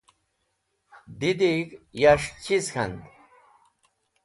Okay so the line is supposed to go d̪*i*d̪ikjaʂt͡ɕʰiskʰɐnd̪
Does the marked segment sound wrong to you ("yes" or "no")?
no